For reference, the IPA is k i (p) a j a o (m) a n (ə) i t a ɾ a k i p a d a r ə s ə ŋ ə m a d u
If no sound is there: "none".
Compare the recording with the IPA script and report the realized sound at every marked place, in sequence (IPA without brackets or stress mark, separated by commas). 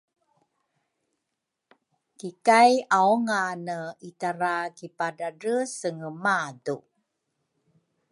k, ŋ, ə